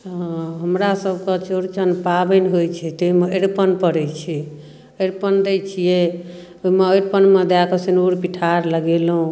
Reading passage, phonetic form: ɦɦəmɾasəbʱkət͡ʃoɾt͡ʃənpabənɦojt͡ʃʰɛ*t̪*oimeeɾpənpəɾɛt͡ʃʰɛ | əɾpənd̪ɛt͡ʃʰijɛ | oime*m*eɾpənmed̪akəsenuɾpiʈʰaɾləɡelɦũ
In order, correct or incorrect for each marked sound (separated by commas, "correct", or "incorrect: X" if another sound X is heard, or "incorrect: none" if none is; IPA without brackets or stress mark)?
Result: correct, incorrect: none